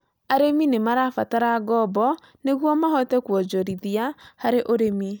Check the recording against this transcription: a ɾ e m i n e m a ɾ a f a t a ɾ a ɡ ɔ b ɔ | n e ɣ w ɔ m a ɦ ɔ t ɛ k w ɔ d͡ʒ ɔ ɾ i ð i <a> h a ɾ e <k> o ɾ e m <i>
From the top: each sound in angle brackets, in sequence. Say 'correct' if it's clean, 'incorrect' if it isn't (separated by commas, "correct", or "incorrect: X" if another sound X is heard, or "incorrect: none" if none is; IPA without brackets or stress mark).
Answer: correct, incorrect: ʔ, correct